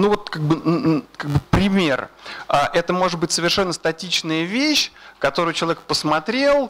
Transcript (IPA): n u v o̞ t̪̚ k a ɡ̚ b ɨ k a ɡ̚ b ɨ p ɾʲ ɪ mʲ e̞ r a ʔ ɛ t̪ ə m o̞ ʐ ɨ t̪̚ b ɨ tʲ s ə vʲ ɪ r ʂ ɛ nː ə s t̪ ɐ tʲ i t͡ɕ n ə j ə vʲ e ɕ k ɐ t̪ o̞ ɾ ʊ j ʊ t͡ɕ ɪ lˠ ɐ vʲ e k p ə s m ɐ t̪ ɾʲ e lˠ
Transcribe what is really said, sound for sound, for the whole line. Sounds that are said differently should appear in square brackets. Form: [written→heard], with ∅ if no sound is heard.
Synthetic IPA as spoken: n u v o̞ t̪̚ k a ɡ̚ b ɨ k a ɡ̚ b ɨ p ɾʲ ɪ mʲ e̞ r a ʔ ɛ t̪ ə m o̞ ʐ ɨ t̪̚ b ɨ tʲ s ə vʲ ɪ r ʂ ɛ nː ə s t̪ ɐ tʲ i t͡ɕ n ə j ə vʲ e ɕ k ɐ t̪ o̞ ɾ ʊ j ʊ t͡ɕ ɪ lˠ ɐ vʲ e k p ə s m ɐ t̪ ɾʲ e lˠ